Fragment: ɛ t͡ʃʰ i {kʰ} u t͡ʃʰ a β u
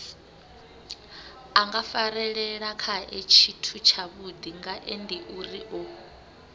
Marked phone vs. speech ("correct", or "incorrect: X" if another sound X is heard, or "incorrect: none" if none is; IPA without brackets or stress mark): incorrect: tʰ